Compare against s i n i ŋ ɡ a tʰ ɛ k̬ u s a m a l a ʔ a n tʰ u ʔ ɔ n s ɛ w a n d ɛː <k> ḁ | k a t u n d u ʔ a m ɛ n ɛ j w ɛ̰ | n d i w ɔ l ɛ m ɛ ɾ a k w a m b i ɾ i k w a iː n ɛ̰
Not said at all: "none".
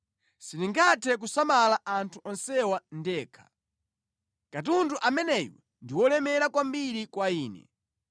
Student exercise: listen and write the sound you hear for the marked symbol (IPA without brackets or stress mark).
kʰ